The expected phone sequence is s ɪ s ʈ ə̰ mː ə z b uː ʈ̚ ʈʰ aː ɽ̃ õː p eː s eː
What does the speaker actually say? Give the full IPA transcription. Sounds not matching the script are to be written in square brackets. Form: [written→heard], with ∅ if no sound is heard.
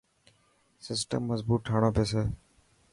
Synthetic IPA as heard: s ɪ s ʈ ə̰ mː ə z b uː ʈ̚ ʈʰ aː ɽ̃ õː p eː s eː